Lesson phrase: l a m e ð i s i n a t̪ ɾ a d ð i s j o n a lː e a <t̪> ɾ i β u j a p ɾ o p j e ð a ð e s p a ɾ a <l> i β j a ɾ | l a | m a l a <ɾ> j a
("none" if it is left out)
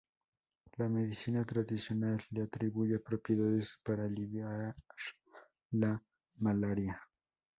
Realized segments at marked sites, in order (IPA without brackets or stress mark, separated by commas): t̪, l, ɾ